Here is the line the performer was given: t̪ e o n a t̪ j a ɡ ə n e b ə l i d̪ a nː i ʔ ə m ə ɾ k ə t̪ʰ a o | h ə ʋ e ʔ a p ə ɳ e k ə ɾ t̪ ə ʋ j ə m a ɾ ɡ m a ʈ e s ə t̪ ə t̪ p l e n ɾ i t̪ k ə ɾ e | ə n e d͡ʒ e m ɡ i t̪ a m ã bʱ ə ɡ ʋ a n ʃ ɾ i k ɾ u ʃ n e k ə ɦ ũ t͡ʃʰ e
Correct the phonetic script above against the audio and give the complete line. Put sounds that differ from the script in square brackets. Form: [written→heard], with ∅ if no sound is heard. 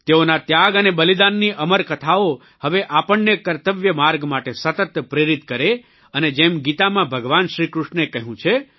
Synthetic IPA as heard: t̪ e o n a t̪ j a ɡ ə n e b ə l i d̪ a nː i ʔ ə m ə ɾ k ə t̪ʰ a o | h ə ʋ e ʔ a p ə [ɳ→ɳː] e k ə ɾ t̪ ə ʋ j ə m a ɾ ɡ m a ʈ e s ə t̪ ə t̪ p [l→ɾ] e [n→∅] ɾ i t̪ k ə ɾ e | ə n e d͡ʒ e m ɡ i t̪ a m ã bʱ ə ɡ ʋ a n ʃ ɾ i k ɾ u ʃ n e k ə ɦ ũ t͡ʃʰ e